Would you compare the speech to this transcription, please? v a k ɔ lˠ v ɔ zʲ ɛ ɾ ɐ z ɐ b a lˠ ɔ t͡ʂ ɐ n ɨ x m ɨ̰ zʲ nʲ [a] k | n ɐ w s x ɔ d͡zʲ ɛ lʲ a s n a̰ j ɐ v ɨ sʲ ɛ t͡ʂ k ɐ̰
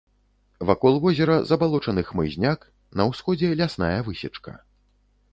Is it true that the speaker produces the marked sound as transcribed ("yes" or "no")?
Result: yes